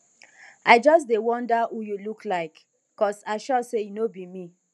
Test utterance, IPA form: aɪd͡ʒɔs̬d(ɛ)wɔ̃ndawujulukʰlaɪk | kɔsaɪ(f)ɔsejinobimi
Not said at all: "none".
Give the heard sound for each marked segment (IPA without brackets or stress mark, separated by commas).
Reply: e, ʃ